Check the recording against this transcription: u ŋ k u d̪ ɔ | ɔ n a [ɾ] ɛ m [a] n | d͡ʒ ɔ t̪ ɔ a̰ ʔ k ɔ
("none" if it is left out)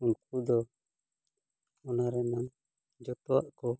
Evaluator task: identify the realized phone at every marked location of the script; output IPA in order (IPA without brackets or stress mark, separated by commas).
ɾ, a